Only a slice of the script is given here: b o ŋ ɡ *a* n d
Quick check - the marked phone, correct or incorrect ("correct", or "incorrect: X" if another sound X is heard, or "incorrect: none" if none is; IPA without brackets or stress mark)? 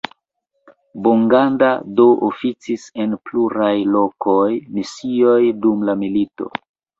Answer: correct